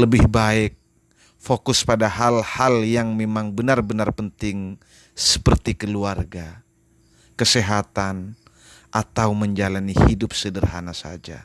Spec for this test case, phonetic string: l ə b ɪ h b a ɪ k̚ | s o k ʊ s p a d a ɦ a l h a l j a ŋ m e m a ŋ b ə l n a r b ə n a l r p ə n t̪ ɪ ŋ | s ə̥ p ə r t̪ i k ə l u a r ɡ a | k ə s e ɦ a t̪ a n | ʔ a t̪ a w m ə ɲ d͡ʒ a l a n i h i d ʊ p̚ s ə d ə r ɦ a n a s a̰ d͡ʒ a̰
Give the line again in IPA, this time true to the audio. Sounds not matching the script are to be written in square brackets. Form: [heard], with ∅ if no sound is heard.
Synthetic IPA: l ə b ɪ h b a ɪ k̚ | [f] o k ʊ s p a d a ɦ a l h a l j a ŋ m e m a ŋ b ə [∅] n a r b ə n a [∅] r p ə n t̪ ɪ ŋ | s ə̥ p ə r t̪ i k ə l u a r ɡ a | k ə s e ɦ a t̪ a n | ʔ a t̪ a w m ə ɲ d͡ʒ a l a n i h i d ʊ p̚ s ə d ə r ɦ a n a s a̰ d͡ʒ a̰